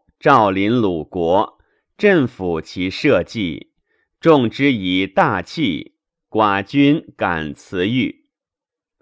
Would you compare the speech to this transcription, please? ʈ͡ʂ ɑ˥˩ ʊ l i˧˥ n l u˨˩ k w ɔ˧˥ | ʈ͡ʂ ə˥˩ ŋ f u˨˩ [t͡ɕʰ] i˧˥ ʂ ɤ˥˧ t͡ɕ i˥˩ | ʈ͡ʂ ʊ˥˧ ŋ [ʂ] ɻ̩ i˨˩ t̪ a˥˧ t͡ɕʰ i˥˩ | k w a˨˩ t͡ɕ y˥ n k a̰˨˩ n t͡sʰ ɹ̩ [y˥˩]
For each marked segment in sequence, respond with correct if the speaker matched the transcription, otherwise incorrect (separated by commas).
correct, incorrect, correct